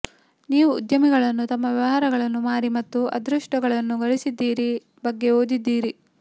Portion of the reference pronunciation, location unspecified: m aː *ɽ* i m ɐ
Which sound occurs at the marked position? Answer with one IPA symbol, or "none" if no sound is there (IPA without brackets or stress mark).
ɾ